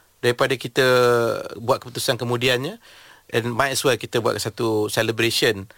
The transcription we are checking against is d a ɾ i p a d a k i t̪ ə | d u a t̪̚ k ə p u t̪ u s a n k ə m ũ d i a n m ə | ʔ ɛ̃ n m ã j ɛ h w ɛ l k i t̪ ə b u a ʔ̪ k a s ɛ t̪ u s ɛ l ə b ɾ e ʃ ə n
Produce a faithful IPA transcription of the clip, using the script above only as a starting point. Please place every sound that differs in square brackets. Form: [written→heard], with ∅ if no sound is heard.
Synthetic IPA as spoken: d a ɾ i p a d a k i t̪ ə | [d→b] u a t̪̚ k ə p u t̪ u s a n k ə m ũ d i a n [m→ɲ] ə | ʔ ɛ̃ n m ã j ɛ [h→s] w ɛ l k i t̪ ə b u a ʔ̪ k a s [ɛ→a] t̪ u s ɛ l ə b ɾ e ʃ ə n